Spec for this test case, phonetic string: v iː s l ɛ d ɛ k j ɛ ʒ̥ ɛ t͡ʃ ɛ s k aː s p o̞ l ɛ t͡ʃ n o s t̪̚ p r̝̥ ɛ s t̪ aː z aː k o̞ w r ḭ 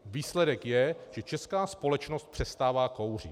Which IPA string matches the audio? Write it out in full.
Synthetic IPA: v iː s l ɛ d ɛ k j ɛ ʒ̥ ɛ t͡ʃ ɛ s k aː s p o̞ l ɛ t͡ʃ n o s t̪̚ p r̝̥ ɛ s t̪ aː v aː k o̞ w r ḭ